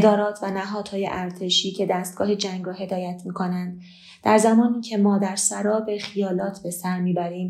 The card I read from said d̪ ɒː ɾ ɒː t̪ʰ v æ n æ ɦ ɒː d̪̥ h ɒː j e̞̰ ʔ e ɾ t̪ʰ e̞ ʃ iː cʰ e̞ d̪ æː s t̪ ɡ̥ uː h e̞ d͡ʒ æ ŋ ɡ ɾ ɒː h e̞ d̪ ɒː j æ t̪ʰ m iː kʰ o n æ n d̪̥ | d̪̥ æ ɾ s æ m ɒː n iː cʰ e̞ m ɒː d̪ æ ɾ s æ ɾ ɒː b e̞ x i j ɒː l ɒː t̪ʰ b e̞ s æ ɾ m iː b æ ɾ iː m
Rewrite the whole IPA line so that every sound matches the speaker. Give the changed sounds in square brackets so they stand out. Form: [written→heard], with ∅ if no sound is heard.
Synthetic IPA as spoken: d̪ ɒː ɾ ɒː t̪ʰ v æ n æ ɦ ɒː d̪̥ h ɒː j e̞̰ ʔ [e→æ] ɾ t̪ʰ e̞ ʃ iː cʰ e̞ d̪ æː s t̪ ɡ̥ [uː→ɒː] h e̞ d͡ʒ æ ŋ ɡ ɾ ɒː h e̞ d̪ ɒː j æ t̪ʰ m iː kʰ o n æ n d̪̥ | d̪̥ æ ɾ [s→z] æ m ɒː n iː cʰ e̞ m ɒː d̪ æ ɾ s æ ɾ ɒː b e̞ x i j ɒː l ɒː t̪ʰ b e̞ s æ ɾ m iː b æ ɾ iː m